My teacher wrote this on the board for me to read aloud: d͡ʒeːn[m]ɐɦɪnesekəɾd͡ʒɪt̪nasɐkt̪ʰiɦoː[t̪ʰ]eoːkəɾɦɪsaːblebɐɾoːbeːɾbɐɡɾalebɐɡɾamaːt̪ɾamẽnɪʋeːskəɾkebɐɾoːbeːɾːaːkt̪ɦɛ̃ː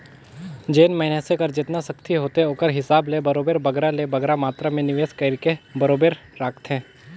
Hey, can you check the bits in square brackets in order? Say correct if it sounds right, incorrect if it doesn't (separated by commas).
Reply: correct, incorrect